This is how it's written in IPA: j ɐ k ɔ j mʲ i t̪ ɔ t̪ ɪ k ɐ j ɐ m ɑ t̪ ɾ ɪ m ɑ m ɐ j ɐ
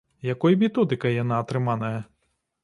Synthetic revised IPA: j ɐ k ɔ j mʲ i t̪ ɔ d̪ ɪ k ɐ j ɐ n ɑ t̪ ɾ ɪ m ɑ n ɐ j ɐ

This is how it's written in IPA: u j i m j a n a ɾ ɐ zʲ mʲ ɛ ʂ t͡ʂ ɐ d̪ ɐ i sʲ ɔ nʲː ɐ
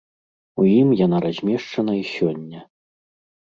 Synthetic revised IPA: u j i m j a n a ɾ a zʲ mʲ ɛ ʂ t͡ʂ ɐ n̪ ɐ i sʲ ɔ nʲː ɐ

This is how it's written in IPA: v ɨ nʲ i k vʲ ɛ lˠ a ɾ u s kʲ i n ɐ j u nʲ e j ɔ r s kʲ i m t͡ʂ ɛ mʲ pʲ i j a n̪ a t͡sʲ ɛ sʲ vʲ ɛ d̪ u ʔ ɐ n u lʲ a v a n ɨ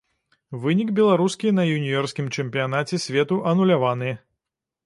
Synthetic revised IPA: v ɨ nʲ i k bʲ ɛ lˠ a ɾ u s kʲ i n ɐ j u nʲ i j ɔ r s kʲ i m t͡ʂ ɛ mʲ pʲ i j a n̪ a t͡sʲ ɛ sʲ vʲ ɛ t̪ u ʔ ɐ n u lʲ a v a n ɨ

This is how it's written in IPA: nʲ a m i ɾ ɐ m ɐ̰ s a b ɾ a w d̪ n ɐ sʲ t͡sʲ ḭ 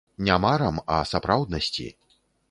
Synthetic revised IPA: nʲ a m a ɾ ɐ m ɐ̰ s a p ɾ a w d̪ n ɐ sʲ t͡sʲ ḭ

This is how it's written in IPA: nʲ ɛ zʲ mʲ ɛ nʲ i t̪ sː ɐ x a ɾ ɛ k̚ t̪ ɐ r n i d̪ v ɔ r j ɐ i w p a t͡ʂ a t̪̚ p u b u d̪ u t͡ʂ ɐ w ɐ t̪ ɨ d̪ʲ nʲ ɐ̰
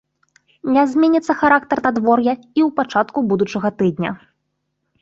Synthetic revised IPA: nʲ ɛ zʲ mʲ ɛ nʲ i t̪ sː ɐ x a ɾ a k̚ t̪ ɐ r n a d̪ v ɔ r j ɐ i w p a t͡ʂ a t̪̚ k u b u d̪ u t͡ʂ ɐ ɣ ɐ t̪ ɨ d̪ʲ nʲ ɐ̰

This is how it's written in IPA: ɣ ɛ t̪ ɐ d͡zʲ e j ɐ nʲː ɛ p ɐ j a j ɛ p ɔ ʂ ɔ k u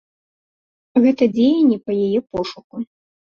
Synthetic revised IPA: ɣ ɛ t̪ ɐ d͡zʲ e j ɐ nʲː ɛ p ɐ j a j ɛ p ɔ ʂ u k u

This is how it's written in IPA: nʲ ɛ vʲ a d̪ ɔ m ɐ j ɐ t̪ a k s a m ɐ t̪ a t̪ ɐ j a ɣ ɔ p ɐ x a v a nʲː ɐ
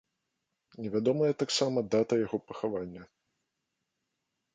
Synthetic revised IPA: nʲ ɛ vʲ a d̪ ɔ m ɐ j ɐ t̪ a k s a m ɐ d̪ a t̪ ɐ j a ɣ ɔ p ɐ x a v a nʲː ɐ

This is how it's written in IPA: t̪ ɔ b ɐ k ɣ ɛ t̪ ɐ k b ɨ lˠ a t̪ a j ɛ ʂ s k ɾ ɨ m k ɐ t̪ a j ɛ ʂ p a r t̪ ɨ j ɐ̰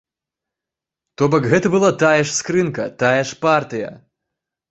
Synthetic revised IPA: t̪ ɔ b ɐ k ɣ ɛ t̪ ɐ b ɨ lˠ a t̪ a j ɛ ʂ s k ɾ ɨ n k ɐ t̪ a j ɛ ʂ p a r t̪ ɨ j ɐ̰

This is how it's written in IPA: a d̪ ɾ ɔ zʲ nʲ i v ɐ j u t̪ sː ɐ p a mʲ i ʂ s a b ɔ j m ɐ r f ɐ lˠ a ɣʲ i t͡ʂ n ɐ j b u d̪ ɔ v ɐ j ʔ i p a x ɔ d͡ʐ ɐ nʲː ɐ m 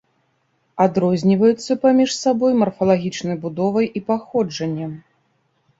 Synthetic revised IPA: a d̪ ɾ ɔ zʲ nʲ i v ɐ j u t̪ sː ɐ p a mʲ i ʂ s a b ɔ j m ɐ r f ɐ lˠ a ɣʲ i t͡ʂ n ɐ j b u d̪ ɔ v ɐ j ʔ i p a x ɔ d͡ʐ ɐ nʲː ɐ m

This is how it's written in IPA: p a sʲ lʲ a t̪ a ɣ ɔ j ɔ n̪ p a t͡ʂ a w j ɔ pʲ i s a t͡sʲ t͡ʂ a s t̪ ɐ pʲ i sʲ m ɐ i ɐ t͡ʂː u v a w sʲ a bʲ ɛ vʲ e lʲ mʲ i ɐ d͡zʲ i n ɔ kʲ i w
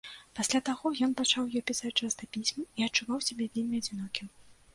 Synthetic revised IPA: p a sʲ lʲ a t̪ a ɣ ɔ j ɔ n̪ p a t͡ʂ a w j ɔ pʲ i s a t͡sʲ t͡ʂ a s t̪ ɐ pʲ i sʲ m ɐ i ɐ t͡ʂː u v a w sʲ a bʲ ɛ vʲ e lʲ mʲ i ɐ d͡zʲ i n ɔ kʲ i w

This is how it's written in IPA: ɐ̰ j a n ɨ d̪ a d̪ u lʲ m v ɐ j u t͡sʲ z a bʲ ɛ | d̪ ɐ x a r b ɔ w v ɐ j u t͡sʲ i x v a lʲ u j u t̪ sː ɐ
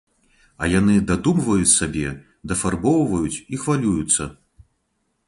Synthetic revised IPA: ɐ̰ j a n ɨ d̪ a d̪ u m v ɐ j u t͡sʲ s a bʲ ɛ | d̪ ɐ f a r b ɔ w v ɐ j u t͡sʲ i x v a lʲ u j u t̪ sː ɐ

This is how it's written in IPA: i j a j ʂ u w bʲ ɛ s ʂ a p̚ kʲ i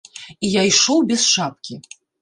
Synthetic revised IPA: i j a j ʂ ɔ w bʲ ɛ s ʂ a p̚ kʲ i

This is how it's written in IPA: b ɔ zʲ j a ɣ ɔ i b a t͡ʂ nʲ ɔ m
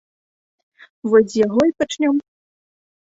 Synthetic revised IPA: v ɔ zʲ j a ɣ ɔ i p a t͡ʂ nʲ ɔ m

